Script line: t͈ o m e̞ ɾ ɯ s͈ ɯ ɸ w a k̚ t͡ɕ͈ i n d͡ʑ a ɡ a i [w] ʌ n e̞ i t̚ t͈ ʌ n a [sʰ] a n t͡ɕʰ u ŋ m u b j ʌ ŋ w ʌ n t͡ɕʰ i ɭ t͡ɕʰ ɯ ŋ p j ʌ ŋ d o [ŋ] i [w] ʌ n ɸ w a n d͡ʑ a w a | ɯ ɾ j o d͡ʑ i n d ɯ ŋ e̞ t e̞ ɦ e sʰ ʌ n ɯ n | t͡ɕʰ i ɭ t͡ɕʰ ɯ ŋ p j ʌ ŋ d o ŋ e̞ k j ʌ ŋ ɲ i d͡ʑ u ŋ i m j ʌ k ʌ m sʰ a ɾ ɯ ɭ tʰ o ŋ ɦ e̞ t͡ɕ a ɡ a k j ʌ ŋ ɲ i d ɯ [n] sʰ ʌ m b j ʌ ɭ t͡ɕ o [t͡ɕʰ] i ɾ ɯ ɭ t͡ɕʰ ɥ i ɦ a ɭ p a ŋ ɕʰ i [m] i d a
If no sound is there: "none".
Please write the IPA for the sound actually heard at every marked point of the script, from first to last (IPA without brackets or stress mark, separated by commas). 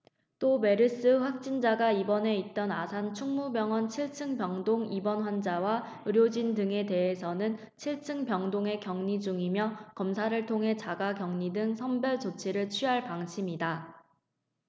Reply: b, sʰ, ŋ, b, ŋ, t͡ɕʰ, m